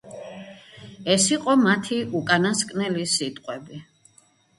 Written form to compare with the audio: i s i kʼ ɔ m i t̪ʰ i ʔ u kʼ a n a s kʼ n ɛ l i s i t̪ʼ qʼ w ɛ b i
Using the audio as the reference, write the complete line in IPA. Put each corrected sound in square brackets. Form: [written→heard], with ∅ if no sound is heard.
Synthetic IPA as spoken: [i→ɛ] s i [kʼ→qʼ] ɔ m [i→a] t̪ʰ i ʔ u kʼ a n a s kʼ n ɛ l i s i t̪ʼ qʼ w ɛ b i